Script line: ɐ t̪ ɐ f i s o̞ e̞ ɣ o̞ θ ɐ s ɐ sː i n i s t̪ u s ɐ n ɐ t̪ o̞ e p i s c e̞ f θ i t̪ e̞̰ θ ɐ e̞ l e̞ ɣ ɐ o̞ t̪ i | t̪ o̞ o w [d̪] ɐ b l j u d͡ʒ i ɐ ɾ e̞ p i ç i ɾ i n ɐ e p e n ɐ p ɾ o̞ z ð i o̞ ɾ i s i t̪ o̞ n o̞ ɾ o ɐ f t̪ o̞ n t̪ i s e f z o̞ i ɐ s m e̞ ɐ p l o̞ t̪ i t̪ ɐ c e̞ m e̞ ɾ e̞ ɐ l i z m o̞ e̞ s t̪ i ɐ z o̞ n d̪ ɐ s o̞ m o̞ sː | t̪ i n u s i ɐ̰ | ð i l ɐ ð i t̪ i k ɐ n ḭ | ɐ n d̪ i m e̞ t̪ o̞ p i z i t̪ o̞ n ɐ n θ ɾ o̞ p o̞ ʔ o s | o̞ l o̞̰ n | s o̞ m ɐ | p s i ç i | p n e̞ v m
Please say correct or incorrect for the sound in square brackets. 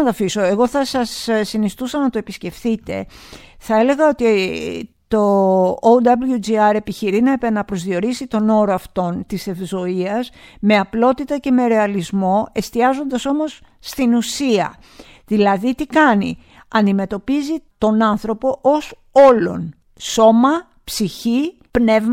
correct